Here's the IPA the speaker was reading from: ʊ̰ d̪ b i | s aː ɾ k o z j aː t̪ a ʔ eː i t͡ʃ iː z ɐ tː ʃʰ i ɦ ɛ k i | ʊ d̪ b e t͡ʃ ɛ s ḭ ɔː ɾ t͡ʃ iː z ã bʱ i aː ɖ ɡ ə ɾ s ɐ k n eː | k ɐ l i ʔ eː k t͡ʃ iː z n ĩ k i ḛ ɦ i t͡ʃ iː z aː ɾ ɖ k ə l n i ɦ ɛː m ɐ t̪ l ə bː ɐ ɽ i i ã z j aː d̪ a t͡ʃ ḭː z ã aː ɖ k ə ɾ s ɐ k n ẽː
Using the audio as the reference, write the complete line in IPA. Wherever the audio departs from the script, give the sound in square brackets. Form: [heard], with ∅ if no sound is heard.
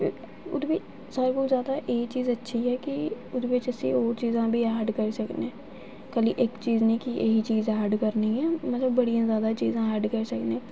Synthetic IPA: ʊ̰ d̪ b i | s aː ɾ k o z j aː [d̪] a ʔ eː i t͡ʃ iː z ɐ tː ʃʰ i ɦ ɛ k i | ʊ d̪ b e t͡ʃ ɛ s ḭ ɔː ɾ t͡ʃ iː z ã bʱ i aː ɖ [k] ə ɾ s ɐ k n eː | k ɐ l i ʔ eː k t͡ʃ iː z n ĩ k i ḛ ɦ i t͡ʃ iː z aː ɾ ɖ k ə [ɾ] n i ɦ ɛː m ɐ t̪ l ə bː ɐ ɽ i [j] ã z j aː d̪ a t͡ʃ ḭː z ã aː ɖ k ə ɾ s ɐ k n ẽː

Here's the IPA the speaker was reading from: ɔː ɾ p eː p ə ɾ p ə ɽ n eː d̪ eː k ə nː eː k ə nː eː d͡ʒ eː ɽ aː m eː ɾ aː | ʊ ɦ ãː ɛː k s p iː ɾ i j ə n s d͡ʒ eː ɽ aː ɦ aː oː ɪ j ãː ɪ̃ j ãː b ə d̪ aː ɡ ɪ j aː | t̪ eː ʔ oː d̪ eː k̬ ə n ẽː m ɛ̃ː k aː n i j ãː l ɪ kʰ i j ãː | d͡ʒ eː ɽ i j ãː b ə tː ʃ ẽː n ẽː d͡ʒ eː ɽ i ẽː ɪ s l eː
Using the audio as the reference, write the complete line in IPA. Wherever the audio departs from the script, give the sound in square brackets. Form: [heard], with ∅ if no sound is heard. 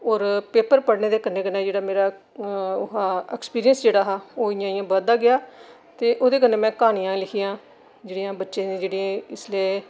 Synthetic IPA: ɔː ɾ p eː p ə ɾ p ə ɽ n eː d̪ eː k ə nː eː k ə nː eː d͡ʒ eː ɽ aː m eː ɾ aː | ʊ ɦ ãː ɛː k s p iː ɾ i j ə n s d͡ʒ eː ɽ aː ɦ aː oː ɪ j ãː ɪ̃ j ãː b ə d̪ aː ɡ ɪ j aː | t̪ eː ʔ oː d̪ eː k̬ ə n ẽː m ɛ̃ː k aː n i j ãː l ɪ kʰ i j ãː | d͡ʒ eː ɽ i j ãː b ə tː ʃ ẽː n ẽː d͡ʒ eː ɽ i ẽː ɪ s l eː

